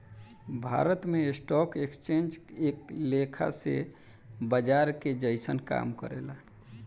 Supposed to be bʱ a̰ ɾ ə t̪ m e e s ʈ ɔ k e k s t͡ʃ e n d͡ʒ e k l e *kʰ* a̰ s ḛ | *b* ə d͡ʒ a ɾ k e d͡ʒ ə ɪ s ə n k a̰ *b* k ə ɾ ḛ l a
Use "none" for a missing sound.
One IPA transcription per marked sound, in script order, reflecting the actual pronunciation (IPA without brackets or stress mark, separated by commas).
kʰ, b, m